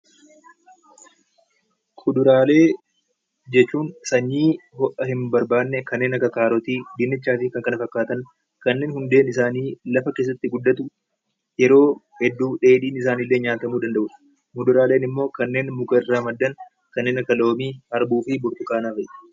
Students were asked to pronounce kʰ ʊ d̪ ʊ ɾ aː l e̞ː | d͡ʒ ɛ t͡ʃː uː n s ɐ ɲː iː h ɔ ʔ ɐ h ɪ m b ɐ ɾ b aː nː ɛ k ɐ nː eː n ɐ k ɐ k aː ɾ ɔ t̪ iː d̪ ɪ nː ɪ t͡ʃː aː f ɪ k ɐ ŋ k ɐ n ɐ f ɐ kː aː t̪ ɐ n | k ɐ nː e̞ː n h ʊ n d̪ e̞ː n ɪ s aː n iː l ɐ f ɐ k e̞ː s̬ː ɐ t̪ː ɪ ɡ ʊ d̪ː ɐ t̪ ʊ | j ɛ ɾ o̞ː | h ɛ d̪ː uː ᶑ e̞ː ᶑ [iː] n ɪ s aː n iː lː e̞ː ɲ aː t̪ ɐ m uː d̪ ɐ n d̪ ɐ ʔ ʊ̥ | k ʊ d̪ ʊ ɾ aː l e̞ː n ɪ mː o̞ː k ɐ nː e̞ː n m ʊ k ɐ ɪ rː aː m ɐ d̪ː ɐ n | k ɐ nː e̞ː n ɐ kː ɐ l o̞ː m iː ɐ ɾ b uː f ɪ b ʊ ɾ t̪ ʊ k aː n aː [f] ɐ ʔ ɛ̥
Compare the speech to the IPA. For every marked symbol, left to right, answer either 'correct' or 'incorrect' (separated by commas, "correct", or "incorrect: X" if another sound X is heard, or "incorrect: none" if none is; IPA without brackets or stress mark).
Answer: correct, correct